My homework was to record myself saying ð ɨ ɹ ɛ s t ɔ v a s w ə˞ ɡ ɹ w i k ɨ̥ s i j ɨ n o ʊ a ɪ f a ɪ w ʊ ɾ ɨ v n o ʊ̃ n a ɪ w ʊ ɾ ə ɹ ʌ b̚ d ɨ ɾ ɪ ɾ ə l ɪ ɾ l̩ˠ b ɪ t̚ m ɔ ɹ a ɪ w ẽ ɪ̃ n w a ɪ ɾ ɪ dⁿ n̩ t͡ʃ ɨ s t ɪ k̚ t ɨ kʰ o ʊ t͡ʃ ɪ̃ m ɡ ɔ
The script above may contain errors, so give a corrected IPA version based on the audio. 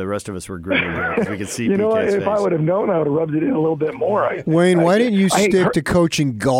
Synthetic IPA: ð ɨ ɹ ɛ s t ʌ v ʌ s w ə˞ ɡ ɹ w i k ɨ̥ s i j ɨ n o ʊ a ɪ f a ɪ w ʊ ɾ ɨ v n õ ʊ̃ n a ɪ w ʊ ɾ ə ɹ ʌ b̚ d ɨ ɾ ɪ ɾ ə l ɪ ɾ l̩ˠ b ɪ t̚ m ɔ ɹ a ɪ w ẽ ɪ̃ n w a ɪ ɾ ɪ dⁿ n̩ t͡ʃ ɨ s t ɪ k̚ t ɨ kʰ o ʊ t͡ʃ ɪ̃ ŋ ɡ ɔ